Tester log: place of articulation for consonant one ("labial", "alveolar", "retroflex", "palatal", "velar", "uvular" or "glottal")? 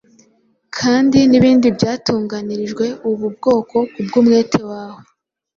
velar